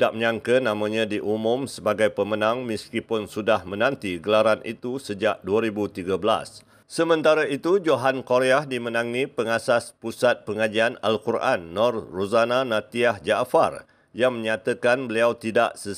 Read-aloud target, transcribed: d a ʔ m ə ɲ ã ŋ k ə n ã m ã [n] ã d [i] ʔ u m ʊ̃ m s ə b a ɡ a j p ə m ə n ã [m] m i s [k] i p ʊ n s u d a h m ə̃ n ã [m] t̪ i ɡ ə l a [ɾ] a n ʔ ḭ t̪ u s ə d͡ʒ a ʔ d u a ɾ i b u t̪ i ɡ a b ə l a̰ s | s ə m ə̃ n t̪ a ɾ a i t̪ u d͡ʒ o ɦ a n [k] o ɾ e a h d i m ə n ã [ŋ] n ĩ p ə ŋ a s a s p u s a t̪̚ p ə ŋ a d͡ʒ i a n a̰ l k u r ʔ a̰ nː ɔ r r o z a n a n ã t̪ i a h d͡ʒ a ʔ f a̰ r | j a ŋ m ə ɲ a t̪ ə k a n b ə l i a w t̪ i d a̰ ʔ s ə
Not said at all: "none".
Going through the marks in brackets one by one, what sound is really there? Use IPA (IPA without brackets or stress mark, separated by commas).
ɲ, i, ŋ, k, n, ɾ, k, ŋ